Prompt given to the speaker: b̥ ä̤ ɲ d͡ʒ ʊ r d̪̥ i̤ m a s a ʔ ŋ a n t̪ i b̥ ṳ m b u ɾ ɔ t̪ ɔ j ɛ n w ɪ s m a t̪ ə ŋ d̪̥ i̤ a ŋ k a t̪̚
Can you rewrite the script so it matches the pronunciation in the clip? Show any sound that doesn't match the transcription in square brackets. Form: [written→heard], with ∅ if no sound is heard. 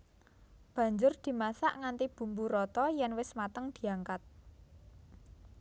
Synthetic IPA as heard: b̥ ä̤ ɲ d͡ʒ ʊ r d̪̥ i̤ m a s a ʔ ŋ a n t̪ i b̥ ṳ m b u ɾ ɔ t̪ ɔ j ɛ n w ɪ s m a t̪ ə ŋ d̪̥ i̤ a ŋ k a t̪̚